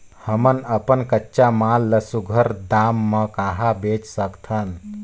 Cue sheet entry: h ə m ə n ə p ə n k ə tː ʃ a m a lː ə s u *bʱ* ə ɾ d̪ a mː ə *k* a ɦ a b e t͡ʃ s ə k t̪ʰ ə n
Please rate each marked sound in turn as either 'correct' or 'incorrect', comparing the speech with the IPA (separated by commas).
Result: incorrect, correct